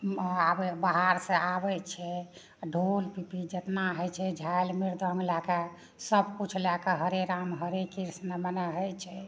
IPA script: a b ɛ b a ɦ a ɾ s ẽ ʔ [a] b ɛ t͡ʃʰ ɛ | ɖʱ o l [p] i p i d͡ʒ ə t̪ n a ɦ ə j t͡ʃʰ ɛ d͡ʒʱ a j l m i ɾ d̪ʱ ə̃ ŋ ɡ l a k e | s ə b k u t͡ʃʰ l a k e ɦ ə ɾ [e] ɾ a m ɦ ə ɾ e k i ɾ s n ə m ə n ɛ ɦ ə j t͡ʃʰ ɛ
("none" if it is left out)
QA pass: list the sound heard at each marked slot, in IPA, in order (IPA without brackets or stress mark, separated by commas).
a, p, e